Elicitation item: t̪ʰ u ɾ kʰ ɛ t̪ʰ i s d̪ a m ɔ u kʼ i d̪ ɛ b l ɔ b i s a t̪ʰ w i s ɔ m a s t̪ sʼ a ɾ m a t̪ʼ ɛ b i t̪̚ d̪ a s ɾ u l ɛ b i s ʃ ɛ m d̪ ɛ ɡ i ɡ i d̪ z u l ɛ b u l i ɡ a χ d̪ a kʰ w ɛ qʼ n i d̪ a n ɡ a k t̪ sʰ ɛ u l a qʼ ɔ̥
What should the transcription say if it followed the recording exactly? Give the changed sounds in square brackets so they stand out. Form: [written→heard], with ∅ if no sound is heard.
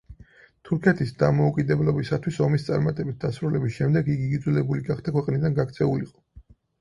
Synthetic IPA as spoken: t̪ʰ u ɾ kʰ ɛ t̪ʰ i s d̪ a m ɔ u kʼ i d̪ ɛ b l ɔ b i s a t̪ʰ w i s ɔ m [a→i] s t̪ sʼ a ɾ m a t̪ʼ ɛ b i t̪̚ d̪ a s ɾ u l ɛ b i s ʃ ɛ m d̪ ɛ ɡ i ɡ i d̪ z u l ɛ b u l i ɡ a χ d̪ a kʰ w ɛ qʼ n i d̪ a n ɡ a k t̪ sʰ ɛ u l [a→i] qʼ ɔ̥